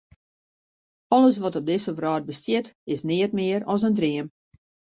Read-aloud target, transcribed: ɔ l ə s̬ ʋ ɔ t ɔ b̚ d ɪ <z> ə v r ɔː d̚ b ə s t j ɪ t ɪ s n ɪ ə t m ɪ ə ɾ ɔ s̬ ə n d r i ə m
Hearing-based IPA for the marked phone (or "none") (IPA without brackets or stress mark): s